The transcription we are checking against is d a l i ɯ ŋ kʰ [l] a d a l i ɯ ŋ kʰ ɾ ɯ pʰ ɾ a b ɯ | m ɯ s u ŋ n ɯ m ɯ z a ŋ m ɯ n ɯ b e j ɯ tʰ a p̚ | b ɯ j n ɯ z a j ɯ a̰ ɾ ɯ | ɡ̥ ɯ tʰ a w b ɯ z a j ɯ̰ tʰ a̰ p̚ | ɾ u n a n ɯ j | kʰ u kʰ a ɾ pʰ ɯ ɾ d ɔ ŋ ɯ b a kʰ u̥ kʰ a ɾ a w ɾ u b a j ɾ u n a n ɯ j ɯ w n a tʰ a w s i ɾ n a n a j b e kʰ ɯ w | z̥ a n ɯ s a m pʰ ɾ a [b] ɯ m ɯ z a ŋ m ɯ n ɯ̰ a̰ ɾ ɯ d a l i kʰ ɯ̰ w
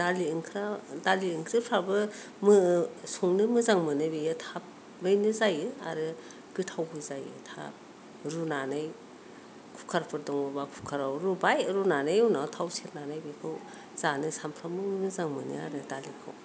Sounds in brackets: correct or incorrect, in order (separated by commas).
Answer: incorrect, incorrect